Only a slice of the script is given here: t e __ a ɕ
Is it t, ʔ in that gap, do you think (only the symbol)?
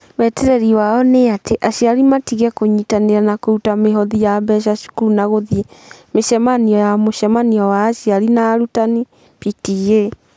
ʔ